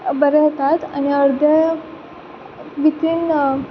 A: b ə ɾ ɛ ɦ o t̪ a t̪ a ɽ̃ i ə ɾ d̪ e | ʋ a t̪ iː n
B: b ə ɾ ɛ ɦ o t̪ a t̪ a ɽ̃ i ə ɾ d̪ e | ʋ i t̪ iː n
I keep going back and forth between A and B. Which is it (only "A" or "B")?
B